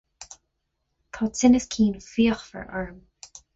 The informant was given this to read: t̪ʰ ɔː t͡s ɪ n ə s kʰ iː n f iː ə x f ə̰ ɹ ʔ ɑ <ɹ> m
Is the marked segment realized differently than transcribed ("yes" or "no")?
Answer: no